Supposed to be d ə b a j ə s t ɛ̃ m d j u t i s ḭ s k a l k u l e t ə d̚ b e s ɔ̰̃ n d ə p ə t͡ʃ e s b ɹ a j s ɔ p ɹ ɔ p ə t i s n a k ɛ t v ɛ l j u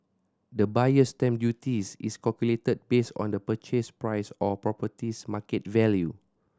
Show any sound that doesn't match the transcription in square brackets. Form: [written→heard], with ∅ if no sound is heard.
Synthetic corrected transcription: d ə b a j ə s t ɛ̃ m d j u t i s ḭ s k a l k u l e t ə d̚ b e s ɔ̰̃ n d ə p ə t͡ʃ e s [b→p] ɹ a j s ɔ p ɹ ɔ p ə t i s [n→m] a k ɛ t v ɛ l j u